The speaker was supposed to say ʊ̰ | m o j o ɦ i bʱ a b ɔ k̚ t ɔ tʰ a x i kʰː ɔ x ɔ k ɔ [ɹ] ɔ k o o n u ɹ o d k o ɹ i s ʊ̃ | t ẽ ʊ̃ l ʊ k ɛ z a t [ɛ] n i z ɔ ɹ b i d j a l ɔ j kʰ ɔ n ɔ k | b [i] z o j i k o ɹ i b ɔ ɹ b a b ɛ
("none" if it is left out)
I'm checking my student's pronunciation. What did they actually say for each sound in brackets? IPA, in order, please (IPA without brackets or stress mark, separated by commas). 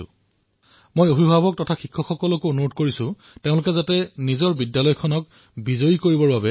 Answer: l, ɛ, i